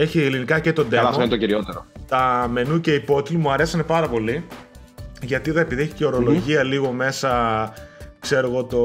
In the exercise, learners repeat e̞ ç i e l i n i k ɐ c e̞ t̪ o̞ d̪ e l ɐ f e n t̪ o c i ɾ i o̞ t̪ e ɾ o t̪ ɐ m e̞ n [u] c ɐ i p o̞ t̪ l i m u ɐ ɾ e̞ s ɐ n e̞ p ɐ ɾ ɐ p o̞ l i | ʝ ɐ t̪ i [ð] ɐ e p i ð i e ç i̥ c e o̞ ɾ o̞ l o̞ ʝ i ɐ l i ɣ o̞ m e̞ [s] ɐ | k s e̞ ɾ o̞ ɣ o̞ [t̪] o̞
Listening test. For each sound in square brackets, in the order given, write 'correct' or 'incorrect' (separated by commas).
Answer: correct, correct, correct, correct